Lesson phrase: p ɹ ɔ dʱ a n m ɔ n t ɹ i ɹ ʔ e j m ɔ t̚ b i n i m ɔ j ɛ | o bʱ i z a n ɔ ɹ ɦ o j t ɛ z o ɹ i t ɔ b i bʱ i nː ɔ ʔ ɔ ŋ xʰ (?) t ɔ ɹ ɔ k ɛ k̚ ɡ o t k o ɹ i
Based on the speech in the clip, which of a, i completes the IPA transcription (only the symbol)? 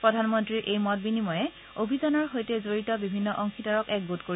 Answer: i